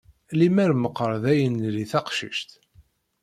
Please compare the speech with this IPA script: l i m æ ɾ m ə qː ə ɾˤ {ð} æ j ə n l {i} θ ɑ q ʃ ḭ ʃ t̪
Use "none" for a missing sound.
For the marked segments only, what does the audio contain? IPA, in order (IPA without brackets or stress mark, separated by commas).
ð, i